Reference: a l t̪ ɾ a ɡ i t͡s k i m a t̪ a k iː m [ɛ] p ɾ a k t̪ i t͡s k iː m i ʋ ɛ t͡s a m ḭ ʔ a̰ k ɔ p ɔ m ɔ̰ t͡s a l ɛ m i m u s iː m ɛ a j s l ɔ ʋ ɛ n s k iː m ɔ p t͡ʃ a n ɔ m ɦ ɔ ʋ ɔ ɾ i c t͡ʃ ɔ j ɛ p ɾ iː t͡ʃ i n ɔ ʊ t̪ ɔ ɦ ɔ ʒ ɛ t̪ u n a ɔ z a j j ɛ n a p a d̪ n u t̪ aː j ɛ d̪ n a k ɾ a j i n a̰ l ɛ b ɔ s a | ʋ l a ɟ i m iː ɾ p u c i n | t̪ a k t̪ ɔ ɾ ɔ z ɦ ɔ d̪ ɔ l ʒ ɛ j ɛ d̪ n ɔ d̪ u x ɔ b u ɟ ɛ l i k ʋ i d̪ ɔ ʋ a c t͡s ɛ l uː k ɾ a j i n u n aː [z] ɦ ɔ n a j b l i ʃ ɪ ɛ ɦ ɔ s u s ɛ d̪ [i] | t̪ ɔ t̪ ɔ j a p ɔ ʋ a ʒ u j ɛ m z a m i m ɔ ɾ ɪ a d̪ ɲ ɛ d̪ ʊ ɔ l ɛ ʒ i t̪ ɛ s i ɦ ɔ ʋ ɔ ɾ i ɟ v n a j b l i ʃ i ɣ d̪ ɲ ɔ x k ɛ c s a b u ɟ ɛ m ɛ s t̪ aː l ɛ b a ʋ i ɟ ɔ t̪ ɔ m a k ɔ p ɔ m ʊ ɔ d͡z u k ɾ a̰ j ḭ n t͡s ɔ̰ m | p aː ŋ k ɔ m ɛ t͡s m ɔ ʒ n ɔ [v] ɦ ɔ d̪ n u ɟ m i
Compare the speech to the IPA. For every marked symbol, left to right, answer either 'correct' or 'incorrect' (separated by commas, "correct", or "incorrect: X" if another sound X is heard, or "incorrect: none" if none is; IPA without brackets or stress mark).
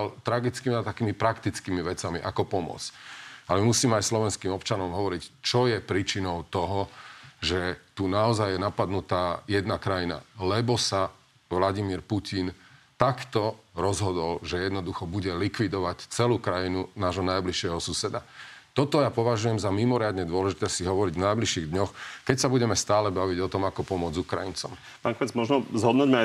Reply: incorrect: i, incorrect: ʒ, incorrect: a, incorrect: z